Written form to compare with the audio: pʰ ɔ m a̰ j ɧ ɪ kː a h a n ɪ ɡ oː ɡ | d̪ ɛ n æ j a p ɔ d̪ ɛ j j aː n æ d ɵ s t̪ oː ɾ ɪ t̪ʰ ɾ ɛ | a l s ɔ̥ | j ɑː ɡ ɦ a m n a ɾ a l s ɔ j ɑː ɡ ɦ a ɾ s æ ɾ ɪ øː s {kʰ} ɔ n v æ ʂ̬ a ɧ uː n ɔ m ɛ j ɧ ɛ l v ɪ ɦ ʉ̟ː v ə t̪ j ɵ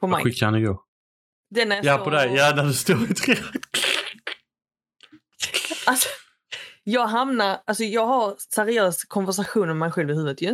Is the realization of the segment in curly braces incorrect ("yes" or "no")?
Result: no